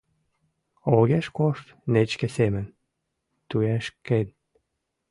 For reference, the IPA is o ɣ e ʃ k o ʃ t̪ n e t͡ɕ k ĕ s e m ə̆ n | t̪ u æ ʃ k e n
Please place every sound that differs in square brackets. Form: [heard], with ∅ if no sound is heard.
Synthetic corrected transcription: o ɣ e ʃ k o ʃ t̪ n e t͡ɕ k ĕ s e m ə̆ n | t̪ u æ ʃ k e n